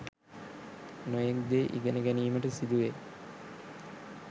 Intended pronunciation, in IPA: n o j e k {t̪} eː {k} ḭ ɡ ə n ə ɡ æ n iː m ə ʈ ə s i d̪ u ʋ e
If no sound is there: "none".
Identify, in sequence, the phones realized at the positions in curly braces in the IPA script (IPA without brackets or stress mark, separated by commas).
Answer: d̪, ʔ